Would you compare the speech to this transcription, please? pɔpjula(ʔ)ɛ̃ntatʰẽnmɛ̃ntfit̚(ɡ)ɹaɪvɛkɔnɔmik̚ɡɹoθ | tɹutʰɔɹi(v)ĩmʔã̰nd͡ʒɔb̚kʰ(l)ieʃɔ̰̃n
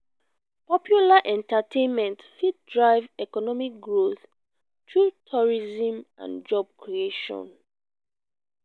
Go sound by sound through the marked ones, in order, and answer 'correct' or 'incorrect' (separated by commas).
correct, incorrect, incorrect, incorrect